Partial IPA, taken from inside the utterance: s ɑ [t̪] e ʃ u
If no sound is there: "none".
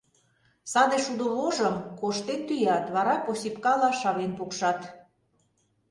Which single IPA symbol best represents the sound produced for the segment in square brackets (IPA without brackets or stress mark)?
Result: d̪